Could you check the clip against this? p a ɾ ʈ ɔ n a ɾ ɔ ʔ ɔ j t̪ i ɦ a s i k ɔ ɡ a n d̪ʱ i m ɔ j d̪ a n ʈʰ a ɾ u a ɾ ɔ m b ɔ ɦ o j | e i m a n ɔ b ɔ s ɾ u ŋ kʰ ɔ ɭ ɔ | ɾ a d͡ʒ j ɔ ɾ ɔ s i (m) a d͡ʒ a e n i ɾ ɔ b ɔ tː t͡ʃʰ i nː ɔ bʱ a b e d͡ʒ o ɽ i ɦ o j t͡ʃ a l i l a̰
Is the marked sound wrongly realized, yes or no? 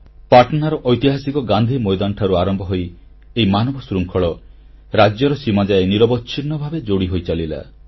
no